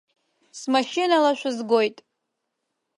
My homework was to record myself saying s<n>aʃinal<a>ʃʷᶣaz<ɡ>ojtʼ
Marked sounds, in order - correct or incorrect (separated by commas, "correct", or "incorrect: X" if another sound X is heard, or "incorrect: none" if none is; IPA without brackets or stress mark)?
incorrect: m, correct, correct